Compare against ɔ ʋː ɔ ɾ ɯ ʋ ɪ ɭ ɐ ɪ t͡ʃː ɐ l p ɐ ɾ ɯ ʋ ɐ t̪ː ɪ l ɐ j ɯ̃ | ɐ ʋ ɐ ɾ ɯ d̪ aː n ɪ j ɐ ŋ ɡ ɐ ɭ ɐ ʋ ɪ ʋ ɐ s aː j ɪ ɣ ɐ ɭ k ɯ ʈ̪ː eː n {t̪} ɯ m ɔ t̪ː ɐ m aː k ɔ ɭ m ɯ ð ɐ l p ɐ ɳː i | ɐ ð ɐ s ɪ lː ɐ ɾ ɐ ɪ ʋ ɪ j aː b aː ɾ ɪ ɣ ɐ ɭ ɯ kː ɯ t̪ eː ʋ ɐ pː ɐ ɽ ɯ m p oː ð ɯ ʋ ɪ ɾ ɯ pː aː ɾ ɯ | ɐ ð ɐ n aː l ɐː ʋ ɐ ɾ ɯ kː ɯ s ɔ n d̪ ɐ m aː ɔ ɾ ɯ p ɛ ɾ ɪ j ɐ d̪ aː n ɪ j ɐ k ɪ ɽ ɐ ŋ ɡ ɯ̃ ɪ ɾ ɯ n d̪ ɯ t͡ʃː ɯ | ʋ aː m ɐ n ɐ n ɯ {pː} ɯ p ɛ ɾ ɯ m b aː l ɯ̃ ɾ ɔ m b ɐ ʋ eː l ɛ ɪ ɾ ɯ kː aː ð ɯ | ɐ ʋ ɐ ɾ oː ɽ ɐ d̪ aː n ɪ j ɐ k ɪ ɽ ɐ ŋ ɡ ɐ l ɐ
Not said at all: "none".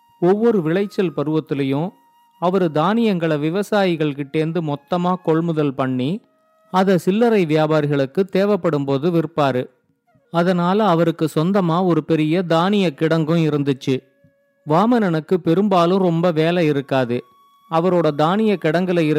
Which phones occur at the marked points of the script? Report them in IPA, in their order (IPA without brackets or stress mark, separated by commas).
d̪, kː